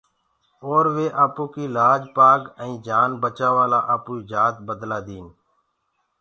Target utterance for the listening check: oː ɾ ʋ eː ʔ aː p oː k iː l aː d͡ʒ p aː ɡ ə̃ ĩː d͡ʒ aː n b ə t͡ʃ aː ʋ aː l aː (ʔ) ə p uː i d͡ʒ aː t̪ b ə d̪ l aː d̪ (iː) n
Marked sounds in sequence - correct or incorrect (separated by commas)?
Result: correct, correct